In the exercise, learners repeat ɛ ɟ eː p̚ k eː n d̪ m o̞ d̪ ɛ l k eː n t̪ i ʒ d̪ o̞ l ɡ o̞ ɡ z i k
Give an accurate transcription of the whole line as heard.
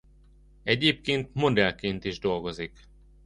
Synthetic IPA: ɛ ɟ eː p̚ k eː n t̪ m o̞ d̪ ɛ l k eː n t̪ i ʒ d̪ o̞ l ɡ o̞ z i k